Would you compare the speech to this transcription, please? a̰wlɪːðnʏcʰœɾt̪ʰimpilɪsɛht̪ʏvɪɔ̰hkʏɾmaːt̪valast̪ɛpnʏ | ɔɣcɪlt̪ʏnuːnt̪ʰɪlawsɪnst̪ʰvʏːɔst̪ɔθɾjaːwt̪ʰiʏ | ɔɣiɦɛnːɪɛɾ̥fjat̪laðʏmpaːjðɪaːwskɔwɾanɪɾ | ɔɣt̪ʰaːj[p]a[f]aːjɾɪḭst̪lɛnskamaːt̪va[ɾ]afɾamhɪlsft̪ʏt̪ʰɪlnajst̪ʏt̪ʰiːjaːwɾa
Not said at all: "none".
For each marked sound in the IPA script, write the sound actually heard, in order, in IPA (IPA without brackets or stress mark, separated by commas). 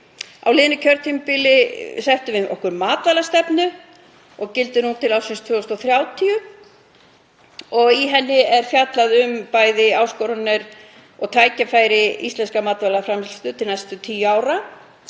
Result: c, f, l